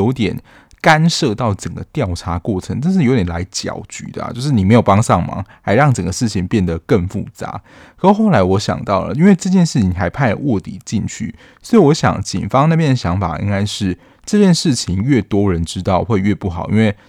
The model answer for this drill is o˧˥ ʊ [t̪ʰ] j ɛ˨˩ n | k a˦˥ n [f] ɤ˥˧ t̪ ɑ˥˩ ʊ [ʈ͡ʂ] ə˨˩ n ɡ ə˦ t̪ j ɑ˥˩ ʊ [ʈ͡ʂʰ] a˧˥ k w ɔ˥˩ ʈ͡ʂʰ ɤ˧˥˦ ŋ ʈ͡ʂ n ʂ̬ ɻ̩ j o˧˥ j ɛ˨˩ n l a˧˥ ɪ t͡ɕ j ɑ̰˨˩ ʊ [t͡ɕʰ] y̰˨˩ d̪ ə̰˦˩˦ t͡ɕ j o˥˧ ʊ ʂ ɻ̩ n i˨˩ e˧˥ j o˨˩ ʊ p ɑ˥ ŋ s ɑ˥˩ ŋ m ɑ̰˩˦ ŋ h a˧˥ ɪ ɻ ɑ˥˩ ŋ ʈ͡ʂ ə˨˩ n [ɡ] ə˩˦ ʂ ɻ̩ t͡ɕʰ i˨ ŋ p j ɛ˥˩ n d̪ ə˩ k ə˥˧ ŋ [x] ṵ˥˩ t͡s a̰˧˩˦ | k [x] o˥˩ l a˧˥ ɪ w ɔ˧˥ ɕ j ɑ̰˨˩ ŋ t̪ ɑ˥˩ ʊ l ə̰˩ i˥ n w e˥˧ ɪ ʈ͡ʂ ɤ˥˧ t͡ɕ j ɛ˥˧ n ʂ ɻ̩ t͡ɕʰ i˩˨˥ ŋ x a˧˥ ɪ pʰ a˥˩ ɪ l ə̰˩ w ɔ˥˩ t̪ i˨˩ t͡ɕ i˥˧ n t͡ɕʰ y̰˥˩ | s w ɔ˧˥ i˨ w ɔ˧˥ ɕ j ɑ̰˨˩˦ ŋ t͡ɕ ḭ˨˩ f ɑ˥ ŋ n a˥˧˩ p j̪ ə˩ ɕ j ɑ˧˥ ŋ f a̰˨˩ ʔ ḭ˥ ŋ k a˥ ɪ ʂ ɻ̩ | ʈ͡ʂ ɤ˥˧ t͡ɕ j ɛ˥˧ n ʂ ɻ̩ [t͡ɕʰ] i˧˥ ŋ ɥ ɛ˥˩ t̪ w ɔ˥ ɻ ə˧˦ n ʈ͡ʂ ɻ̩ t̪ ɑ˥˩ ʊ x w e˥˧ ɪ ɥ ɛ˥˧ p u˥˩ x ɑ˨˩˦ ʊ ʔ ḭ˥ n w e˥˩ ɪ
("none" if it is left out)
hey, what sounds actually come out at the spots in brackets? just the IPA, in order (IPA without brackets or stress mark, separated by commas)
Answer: t̪, ʂ, ʈ͡ʂ, ʈ͡ʂʰ, t͡ɕ, ɡ, f, x, t͡ɕʰ